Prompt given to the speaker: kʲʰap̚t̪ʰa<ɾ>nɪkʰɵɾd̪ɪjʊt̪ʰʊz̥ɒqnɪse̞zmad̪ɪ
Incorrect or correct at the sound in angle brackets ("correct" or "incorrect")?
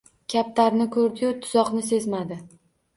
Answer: correct